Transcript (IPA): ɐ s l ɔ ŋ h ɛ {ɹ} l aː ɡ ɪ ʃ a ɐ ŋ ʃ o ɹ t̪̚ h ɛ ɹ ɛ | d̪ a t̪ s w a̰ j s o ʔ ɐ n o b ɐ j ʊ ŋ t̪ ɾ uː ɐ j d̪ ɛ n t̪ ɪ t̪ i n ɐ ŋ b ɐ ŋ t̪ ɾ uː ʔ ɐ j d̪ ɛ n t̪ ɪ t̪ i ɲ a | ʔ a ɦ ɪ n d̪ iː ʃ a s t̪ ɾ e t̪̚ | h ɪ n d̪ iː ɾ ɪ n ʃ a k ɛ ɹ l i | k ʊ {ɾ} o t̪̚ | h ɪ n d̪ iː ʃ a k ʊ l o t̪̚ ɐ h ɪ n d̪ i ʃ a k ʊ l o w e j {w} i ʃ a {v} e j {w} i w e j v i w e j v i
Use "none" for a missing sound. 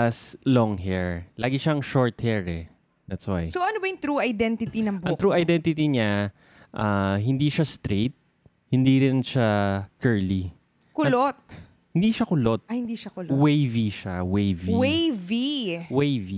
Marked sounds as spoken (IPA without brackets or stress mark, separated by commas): ɹ, l, v, w, v